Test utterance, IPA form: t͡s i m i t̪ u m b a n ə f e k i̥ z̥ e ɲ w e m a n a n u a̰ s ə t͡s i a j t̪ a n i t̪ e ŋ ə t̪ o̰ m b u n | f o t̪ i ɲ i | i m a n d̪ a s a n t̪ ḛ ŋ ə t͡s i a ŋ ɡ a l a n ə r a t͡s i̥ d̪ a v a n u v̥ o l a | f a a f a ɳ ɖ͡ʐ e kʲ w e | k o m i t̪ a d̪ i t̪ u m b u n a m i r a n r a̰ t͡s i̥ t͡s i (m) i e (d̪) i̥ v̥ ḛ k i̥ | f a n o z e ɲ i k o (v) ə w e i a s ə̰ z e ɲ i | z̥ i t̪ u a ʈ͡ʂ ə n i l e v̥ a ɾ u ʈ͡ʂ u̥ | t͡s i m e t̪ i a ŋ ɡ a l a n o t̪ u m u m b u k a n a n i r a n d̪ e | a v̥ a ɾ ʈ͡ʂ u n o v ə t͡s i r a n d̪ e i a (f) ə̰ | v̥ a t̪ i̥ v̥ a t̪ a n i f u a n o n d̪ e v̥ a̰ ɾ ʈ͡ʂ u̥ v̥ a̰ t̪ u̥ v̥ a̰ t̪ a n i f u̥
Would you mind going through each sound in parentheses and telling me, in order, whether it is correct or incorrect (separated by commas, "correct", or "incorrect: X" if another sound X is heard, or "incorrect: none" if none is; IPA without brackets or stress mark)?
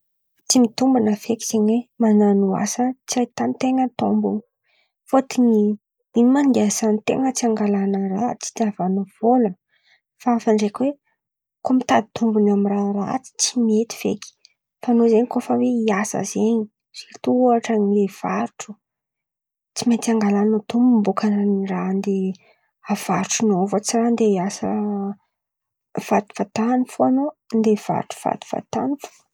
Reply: correct, incorrect: t̪, incorrect: f, incorrect: s